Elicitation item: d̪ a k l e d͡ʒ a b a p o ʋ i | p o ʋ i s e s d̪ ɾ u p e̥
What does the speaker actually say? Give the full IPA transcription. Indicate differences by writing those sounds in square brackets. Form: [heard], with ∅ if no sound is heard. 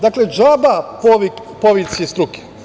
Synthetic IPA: d̪ a k l e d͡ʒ a b a p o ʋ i | p o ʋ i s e s [t̪] ɾ u [k] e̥